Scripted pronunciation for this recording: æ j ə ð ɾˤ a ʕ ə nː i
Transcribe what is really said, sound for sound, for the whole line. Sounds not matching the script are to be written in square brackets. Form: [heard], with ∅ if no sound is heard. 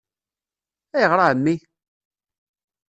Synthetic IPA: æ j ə [ʁ] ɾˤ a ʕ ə [mː] i